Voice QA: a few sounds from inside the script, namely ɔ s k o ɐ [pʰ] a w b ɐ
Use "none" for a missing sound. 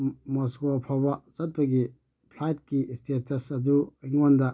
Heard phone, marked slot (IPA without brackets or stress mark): pʰ